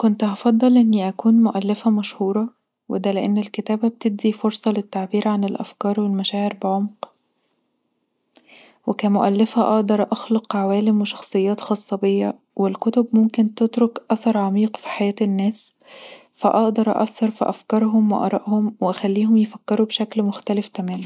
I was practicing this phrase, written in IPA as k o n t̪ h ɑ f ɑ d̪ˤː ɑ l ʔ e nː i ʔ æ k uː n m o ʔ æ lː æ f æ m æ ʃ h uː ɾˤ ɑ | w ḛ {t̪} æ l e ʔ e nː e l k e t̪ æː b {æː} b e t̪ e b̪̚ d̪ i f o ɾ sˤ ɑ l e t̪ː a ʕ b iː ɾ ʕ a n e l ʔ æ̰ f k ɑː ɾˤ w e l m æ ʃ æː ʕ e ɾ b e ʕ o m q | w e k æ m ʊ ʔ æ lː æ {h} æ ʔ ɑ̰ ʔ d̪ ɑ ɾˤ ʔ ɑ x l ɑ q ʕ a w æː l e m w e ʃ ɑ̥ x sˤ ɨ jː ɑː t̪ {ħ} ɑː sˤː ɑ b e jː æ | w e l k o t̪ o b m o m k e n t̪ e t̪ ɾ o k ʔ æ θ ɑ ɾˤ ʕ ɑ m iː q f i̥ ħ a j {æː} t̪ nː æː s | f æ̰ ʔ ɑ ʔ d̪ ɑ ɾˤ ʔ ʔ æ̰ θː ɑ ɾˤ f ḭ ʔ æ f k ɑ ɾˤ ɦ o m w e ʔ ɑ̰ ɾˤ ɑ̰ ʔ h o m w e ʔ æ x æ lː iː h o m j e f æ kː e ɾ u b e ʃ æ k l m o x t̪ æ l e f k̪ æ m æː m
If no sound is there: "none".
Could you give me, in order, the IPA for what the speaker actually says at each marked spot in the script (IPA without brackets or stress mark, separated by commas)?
d̪, æ, f, x, æː